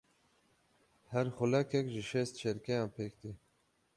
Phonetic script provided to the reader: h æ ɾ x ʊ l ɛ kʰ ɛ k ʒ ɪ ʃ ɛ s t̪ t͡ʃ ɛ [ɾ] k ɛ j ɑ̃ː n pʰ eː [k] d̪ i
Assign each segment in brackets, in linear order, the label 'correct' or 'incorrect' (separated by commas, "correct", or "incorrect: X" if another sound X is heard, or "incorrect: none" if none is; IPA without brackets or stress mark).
correct, correct